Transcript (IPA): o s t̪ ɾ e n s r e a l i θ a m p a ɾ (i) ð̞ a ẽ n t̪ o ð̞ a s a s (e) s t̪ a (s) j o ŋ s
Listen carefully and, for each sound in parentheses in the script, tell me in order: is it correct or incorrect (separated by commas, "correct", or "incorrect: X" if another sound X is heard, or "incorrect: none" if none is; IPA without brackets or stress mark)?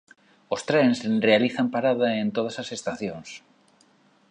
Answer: incorrect: a, correct, incorrect: θ